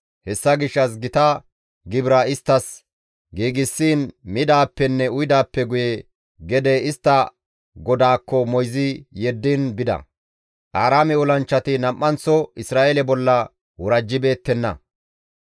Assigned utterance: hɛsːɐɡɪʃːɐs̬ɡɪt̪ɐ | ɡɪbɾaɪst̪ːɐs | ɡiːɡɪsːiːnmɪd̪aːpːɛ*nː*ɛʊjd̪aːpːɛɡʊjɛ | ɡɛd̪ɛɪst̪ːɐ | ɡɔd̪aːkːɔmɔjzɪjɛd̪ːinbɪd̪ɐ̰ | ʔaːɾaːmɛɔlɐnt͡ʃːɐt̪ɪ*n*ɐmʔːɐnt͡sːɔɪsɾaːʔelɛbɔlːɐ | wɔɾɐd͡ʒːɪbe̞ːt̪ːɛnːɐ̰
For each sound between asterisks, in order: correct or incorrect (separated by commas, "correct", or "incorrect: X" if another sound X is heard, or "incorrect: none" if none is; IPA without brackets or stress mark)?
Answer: correct, correct